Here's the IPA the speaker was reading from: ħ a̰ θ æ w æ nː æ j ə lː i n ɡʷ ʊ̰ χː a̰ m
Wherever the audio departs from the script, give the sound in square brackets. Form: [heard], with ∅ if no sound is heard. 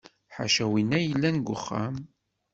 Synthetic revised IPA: ħ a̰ [ʃ] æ w [i] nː æ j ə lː [æ] n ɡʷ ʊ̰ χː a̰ m